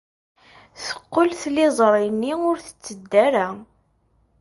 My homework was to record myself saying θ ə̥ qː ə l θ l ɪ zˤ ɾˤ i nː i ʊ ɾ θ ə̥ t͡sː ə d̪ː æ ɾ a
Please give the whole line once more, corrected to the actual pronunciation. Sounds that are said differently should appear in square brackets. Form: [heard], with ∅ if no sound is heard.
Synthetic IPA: θ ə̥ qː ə l θ l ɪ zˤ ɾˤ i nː i ʊ ɾ θ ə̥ t͡sː ə d̪ː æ ɾ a

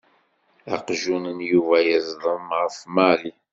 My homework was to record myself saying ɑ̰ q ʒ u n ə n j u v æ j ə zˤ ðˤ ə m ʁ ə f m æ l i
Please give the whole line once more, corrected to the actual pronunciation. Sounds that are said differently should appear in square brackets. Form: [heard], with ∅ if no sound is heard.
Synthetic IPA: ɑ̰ q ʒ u n ə n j u v æ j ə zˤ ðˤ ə m ʁ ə f m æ l i

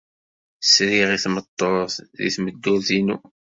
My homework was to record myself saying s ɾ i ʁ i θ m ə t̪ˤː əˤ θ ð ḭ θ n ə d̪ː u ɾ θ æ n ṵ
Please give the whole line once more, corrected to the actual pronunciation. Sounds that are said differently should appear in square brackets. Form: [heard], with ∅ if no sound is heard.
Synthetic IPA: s ɾ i ʁ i θ m ə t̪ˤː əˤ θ ð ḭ θ [m] ə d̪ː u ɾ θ [i] n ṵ

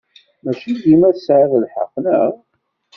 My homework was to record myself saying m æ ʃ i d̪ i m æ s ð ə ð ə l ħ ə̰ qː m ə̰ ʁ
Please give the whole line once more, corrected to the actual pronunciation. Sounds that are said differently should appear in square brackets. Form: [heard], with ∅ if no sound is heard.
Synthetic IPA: m æ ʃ i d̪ i m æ s [ʕ] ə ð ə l ħ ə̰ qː [n] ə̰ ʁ

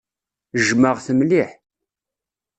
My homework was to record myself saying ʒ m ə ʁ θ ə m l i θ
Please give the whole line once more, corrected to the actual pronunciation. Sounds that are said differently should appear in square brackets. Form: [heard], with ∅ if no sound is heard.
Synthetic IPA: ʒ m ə ʁ θ ə m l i [ħ]

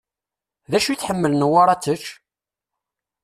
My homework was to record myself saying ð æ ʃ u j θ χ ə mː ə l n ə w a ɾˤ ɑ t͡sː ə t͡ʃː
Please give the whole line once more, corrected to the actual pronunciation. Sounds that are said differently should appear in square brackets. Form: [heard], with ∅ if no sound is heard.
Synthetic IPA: ð æ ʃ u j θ [ħ] ə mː ə l n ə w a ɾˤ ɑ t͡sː ə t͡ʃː

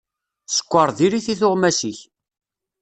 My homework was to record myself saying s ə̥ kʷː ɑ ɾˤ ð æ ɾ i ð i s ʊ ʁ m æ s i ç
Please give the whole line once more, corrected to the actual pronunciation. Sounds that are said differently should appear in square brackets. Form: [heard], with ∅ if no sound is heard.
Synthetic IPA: s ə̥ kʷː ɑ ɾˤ ð [i] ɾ i [θ] i [θ] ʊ ʁ m æ s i ç

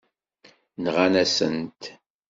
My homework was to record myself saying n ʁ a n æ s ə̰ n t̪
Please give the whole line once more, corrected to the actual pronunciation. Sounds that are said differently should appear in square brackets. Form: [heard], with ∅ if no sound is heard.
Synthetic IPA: n ʁ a n æ s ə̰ n t̪

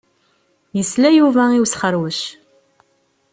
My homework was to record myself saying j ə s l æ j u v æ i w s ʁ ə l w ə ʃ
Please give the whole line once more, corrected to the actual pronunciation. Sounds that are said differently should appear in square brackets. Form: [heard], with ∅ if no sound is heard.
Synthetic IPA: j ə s l æ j u v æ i w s [χ] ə [ɾ] w ə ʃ

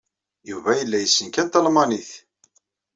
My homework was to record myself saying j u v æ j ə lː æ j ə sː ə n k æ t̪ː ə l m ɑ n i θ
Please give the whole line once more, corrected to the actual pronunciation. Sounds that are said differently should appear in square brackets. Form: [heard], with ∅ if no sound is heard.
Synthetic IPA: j u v æ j ə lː æ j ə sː ə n k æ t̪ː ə l m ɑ n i θ

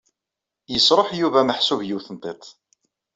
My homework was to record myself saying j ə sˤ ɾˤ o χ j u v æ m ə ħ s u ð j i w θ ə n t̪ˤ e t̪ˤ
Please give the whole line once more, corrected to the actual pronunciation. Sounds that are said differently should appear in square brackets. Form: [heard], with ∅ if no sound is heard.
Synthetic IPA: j ə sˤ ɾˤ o [ħ] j u v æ m ə ħ s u [v] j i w θ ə n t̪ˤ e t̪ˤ

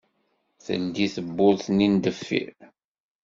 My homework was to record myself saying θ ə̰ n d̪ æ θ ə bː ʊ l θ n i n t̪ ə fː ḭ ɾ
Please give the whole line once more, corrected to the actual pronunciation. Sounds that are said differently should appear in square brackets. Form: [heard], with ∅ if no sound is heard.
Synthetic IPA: θ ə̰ n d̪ [i] θ ə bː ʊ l θ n i n [d̪] ə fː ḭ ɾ

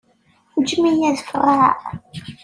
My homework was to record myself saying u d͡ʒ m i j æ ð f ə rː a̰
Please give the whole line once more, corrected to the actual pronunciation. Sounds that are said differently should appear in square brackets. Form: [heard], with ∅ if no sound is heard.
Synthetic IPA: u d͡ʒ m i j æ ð f ə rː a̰

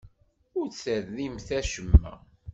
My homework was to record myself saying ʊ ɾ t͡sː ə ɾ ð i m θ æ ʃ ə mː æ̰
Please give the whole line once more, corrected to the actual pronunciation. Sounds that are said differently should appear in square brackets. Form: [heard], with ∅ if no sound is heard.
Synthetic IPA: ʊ ɾ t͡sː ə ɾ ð i m θ æ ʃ ə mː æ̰

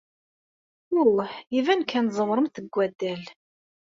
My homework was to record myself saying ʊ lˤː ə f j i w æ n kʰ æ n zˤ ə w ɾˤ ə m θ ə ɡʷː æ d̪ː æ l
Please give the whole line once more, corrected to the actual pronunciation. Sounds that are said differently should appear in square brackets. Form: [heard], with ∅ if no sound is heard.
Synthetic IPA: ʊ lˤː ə [ħ] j i [v] æ n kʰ æ n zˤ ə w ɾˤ ə m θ ə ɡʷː æ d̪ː æ l

